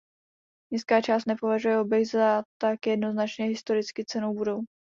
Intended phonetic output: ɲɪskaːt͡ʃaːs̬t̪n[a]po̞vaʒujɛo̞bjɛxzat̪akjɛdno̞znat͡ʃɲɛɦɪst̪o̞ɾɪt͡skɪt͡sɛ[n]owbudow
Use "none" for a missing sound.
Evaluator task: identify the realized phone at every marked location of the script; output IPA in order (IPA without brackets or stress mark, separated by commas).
ɛ, n